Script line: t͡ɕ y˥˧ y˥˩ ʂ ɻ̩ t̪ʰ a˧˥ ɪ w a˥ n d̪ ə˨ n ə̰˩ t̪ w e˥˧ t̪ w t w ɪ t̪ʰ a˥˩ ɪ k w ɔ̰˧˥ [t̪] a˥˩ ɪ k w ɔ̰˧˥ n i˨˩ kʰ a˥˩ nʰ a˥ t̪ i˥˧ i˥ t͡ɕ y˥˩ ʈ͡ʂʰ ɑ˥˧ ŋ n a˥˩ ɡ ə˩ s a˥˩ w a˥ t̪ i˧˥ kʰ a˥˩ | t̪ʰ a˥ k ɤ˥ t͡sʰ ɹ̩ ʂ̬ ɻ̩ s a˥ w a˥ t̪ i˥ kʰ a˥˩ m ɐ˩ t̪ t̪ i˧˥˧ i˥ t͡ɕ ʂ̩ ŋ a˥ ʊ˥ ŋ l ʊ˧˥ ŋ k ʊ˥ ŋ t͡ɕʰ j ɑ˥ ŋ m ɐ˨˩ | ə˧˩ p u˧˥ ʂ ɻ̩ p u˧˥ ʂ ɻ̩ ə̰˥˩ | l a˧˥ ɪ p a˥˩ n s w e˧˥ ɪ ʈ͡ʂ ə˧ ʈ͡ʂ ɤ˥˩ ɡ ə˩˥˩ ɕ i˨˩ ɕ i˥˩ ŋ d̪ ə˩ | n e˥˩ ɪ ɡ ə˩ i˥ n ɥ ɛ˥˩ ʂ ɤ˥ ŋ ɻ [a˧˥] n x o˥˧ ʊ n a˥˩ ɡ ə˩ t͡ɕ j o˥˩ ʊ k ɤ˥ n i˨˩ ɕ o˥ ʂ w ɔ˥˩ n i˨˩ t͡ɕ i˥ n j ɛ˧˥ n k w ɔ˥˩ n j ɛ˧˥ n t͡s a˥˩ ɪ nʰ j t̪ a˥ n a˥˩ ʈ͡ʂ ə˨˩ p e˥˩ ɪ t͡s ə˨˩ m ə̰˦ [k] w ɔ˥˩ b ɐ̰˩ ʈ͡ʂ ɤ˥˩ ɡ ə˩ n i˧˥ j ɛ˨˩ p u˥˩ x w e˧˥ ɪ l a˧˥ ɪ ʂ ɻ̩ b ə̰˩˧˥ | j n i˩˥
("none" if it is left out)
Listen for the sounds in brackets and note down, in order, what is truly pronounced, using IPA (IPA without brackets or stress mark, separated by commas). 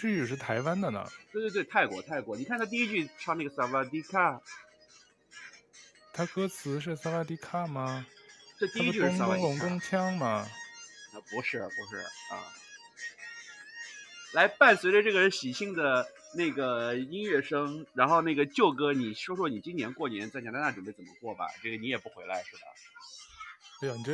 t̪ʰ, a˧˥, k